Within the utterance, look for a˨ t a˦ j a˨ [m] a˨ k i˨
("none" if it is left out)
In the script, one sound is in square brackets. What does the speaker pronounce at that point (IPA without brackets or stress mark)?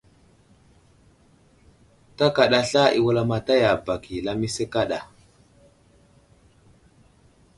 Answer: b